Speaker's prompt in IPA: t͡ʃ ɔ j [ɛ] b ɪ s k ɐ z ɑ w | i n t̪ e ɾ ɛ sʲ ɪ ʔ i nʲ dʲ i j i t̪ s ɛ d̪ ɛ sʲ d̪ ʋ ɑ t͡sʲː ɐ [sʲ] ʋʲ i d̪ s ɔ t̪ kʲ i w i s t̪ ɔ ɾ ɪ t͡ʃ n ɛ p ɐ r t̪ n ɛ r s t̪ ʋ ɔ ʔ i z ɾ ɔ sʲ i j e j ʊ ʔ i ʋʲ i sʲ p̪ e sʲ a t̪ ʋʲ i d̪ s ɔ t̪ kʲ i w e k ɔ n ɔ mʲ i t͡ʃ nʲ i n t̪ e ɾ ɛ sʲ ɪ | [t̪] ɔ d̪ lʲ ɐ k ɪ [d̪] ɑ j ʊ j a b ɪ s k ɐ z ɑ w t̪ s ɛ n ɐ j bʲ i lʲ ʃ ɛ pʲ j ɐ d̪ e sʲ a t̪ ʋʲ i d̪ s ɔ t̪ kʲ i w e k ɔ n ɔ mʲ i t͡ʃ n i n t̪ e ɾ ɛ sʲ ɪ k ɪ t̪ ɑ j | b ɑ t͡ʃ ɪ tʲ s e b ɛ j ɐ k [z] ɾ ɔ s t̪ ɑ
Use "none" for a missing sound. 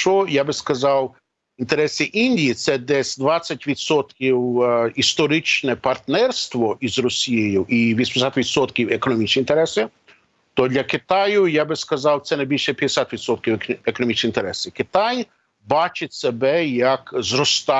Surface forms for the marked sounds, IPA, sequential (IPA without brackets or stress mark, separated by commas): a, tʲ, t̪, t̪, z